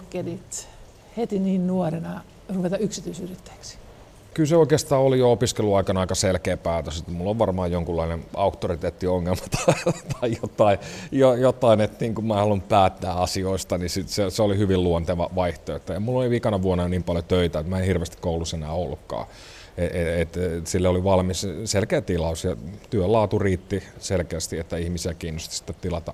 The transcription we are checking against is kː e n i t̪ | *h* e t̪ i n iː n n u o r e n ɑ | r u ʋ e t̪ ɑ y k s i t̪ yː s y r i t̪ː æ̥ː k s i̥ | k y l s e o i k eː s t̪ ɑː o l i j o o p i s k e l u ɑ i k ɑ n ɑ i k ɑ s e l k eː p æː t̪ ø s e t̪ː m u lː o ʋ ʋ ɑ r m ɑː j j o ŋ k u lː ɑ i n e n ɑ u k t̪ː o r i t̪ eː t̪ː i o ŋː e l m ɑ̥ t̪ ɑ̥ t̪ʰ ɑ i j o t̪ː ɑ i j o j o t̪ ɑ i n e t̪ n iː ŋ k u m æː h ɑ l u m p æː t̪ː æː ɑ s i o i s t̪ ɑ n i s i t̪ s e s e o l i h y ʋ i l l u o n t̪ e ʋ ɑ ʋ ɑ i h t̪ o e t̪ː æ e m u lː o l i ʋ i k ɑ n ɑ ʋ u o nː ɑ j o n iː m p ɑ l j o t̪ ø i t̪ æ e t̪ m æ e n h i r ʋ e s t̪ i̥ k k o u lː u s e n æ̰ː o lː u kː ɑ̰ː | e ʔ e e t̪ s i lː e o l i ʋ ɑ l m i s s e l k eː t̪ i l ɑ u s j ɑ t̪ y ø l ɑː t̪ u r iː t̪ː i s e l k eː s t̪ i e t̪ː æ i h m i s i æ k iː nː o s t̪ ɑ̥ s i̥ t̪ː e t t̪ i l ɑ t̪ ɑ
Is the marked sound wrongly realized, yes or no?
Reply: no